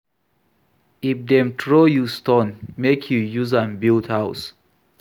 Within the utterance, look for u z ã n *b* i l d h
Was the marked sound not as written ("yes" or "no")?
no